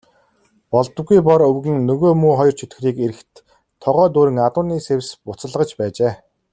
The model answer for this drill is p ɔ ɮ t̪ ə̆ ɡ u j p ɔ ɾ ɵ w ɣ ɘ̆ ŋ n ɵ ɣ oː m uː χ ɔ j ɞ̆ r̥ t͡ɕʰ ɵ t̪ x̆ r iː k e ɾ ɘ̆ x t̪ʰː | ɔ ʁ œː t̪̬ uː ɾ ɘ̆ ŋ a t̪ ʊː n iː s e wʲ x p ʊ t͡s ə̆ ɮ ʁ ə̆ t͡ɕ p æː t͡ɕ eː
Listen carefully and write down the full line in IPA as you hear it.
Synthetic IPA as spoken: p ɔ ɮ t̪ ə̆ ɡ u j p ɔ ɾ ɵ w ɣ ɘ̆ ŋ n ɵ ɣ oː m uː χ ɔ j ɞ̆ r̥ t͡ɕʰ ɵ t̪ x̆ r iː k e ɾ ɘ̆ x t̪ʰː | ɔ ʁ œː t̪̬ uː ɾ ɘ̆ ŋ a t̪ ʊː n iː s e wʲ s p ʊ t͡s ə̆ ɮ ʁ ə̆ t͡ɕ p æː t͡ɕ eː